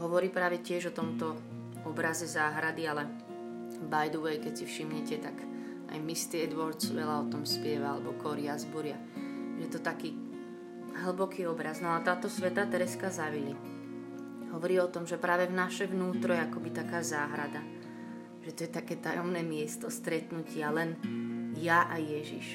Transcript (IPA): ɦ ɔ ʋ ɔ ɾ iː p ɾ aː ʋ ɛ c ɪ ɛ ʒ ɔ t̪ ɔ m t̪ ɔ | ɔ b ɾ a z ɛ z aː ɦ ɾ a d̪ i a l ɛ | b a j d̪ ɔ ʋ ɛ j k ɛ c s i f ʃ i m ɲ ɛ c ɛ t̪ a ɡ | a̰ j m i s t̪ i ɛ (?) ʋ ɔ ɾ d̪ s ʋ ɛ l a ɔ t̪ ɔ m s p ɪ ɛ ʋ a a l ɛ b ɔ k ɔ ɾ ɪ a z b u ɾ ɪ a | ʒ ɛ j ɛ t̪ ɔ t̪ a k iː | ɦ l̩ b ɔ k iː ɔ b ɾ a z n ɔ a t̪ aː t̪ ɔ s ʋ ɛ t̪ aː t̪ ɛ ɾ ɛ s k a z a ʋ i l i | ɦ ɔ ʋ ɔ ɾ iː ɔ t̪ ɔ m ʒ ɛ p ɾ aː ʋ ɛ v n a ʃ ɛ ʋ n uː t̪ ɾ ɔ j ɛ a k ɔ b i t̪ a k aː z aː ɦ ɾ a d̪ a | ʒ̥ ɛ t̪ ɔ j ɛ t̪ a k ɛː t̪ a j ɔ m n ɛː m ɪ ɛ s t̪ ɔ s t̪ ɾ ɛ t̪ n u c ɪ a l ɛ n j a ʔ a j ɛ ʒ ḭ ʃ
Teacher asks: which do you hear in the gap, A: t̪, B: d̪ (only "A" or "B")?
B